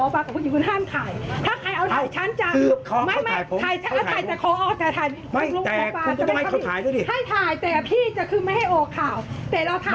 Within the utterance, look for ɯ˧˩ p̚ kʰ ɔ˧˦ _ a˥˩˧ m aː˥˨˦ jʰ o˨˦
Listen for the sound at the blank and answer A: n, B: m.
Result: B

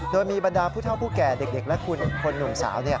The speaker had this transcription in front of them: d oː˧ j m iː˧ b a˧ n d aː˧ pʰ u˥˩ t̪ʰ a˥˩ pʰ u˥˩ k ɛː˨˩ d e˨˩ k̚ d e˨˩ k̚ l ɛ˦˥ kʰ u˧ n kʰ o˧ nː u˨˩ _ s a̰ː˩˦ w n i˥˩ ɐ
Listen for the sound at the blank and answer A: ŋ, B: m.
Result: A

